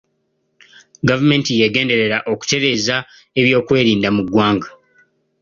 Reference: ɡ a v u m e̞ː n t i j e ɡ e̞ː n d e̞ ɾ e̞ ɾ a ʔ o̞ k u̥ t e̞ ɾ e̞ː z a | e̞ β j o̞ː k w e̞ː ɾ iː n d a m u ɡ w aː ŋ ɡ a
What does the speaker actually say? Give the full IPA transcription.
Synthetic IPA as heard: ɡ a v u m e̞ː n t i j e ɡ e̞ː n d e̞ ɾ e̞ ɾ a ʔ o̞ k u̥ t e̞ ɾ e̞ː z a | e̞ β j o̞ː k w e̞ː ɾ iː n d a m u ɡ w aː ŋ ɡ a